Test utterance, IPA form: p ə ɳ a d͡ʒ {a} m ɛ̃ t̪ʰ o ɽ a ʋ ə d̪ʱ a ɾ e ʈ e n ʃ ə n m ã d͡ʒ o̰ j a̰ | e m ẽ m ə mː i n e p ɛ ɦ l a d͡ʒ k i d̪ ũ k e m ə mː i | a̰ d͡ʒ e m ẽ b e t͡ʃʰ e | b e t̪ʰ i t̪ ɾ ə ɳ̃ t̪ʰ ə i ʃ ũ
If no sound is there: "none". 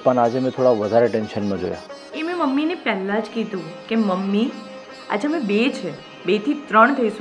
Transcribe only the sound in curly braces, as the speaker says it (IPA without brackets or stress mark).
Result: e